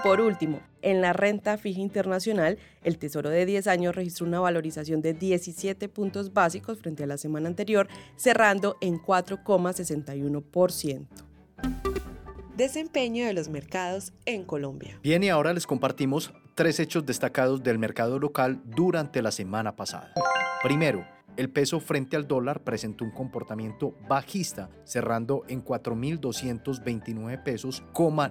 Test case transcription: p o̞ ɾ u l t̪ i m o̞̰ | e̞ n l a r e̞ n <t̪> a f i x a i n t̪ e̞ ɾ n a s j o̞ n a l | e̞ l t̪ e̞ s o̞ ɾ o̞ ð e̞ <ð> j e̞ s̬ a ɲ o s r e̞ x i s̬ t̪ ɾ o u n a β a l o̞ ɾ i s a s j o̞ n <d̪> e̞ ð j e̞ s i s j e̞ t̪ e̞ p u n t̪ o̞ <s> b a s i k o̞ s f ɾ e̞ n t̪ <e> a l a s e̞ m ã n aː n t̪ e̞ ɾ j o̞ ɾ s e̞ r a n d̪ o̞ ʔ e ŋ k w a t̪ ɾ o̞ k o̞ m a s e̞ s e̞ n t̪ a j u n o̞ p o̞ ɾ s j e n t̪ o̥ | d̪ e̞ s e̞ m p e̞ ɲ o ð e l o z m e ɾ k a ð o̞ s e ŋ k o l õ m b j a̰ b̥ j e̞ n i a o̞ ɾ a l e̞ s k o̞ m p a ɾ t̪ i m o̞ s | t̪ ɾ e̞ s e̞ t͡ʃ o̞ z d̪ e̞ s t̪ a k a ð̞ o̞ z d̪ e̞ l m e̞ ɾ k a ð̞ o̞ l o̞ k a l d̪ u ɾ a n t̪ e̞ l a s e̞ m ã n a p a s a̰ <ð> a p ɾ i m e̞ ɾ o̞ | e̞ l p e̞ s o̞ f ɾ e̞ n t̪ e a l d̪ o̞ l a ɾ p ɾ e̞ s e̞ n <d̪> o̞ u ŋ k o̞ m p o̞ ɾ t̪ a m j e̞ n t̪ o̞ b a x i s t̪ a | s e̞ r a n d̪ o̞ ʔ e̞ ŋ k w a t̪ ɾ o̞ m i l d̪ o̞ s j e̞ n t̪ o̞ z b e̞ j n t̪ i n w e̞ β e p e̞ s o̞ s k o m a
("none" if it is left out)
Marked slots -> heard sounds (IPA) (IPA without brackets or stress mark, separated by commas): t̪, ð, d̪, z, e, ð, t̪